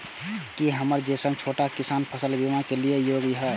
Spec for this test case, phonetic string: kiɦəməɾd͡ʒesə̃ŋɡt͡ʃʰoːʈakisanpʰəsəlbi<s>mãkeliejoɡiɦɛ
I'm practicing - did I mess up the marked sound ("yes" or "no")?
yes